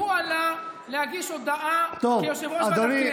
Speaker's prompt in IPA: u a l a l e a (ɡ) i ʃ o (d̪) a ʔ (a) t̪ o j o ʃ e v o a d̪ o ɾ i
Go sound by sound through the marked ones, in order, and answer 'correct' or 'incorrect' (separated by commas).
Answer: correct, correct, correct